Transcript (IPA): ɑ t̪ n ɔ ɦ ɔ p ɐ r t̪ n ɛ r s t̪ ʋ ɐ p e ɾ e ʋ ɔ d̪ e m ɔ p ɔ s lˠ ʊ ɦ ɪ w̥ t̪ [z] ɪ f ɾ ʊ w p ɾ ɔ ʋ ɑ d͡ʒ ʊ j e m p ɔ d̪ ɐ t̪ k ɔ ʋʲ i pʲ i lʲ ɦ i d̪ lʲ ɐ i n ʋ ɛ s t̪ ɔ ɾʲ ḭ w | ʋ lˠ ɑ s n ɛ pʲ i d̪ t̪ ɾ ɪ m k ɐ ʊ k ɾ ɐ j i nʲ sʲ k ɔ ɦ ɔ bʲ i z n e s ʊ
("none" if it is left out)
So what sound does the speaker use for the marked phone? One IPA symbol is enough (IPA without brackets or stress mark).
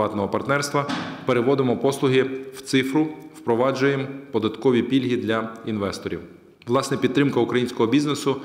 s